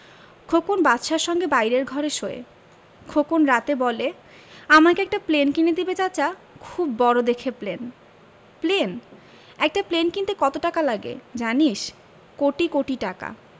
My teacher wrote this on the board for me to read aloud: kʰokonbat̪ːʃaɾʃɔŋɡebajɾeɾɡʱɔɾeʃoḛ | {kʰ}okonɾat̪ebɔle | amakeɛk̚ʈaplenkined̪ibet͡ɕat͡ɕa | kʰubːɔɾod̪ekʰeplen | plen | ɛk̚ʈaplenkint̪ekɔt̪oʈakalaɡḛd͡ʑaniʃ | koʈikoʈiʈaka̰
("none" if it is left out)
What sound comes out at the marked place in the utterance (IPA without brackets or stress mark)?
kʰ